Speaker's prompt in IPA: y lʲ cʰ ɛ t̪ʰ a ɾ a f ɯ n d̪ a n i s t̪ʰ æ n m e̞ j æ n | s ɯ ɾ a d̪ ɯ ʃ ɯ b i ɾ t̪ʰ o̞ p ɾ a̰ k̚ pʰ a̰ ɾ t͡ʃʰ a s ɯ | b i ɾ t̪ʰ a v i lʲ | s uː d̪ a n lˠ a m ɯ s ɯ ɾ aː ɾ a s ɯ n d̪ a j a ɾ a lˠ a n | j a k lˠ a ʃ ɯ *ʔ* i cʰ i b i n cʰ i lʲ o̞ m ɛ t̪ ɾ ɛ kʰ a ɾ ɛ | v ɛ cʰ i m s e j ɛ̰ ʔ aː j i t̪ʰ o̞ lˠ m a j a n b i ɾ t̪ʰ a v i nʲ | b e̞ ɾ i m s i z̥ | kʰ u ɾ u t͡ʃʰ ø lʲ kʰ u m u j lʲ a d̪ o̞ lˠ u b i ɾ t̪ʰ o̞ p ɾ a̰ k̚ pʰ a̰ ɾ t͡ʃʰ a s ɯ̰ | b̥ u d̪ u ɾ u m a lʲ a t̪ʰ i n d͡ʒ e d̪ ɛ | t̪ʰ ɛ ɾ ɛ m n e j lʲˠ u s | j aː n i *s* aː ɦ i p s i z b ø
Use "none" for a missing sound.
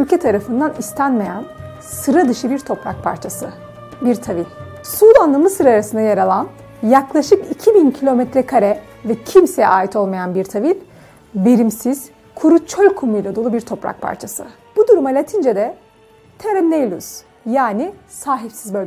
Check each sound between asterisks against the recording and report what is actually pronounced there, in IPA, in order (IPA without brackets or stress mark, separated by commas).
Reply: k, s